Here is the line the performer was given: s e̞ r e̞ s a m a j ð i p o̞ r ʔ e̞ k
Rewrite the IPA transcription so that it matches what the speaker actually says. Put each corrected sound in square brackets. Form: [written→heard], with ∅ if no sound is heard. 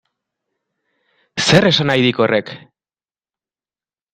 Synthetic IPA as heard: s e̞ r e̞ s a [m→n] a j ð i [p→k] o̞ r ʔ e̞ k